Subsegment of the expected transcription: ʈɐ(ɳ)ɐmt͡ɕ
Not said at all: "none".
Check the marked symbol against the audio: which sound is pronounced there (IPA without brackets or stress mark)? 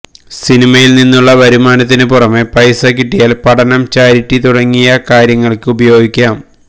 n